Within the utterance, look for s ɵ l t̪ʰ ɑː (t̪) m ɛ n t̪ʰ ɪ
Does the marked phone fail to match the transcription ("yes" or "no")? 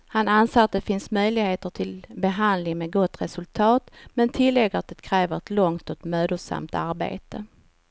no